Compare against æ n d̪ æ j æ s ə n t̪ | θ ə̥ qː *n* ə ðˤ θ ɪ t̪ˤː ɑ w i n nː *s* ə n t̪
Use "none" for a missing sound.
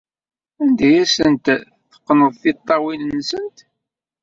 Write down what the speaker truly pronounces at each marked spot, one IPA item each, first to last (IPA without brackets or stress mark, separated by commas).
n, s